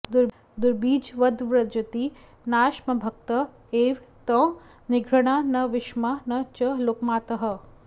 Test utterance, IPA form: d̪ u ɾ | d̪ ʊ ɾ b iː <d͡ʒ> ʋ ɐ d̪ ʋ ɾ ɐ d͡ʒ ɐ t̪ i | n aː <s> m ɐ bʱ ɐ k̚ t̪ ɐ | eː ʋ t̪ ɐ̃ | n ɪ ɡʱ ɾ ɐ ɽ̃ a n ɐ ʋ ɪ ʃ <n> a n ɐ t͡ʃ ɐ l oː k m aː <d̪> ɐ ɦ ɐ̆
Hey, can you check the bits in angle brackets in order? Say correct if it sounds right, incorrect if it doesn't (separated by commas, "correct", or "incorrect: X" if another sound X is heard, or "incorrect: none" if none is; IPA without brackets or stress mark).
correct, incorrect: ʃ, incorrect: m, incorrect: t̪